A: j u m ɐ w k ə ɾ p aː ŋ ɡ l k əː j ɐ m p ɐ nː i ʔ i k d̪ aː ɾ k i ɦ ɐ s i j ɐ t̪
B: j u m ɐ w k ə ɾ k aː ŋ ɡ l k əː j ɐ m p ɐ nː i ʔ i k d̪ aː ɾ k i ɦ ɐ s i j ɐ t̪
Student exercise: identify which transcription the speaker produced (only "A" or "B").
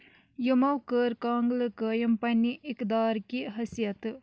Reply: B